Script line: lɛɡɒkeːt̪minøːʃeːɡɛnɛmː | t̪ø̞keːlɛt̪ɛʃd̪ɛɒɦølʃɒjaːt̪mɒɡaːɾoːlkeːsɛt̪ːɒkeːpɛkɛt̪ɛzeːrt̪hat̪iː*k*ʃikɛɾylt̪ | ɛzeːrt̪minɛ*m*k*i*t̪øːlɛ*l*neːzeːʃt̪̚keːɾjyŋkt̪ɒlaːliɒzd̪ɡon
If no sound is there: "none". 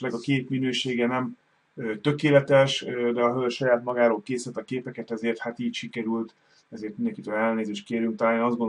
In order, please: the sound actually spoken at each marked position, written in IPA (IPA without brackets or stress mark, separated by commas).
c, ŋ, i, l